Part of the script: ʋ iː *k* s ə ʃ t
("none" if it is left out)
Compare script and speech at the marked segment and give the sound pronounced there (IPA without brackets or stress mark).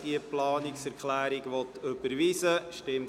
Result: none